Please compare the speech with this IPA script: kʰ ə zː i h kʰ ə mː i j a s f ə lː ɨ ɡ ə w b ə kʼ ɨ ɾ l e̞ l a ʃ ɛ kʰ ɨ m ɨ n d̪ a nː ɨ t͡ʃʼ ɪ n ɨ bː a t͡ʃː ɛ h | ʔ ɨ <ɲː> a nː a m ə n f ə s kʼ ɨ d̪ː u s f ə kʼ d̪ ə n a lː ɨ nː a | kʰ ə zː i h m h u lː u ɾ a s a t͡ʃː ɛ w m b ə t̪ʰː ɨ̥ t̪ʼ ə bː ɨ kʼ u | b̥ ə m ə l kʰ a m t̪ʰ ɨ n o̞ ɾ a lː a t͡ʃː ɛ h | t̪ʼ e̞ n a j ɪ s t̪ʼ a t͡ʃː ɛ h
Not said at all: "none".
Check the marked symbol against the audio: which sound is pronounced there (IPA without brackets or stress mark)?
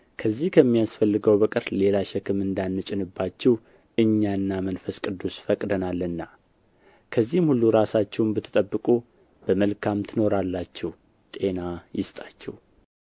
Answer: ɲː